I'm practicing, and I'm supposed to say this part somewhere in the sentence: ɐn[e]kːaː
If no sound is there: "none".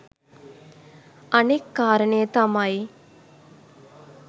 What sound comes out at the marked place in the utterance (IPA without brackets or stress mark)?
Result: e